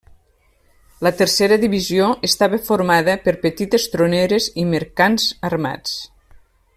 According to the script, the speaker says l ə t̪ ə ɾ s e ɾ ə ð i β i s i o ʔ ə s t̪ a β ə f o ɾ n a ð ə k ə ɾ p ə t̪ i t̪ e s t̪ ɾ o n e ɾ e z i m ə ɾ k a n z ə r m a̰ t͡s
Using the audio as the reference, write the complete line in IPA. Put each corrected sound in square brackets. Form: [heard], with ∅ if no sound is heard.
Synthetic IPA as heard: l ə t̪ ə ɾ s e ɾ ə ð i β i [z] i o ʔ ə s t̪ a β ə f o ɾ [m] a ð ə [p] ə ɾ p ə t̪ i t̪ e s t̪ ɾ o n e ɾ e z i m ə ɾ k a n z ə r m a̰ t͡s